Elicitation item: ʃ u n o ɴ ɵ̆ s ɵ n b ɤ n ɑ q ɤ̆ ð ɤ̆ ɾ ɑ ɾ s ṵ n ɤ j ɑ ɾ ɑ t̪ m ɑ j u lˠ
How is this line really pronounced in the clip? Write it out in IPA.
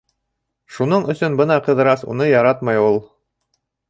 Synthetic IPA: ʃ u n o ɴ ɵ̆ s ɵ n b ɤ n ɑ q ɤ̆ ð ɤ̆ ɾ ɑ s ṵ n ɤ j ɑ ɾ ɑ t̪ m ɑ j u lˠ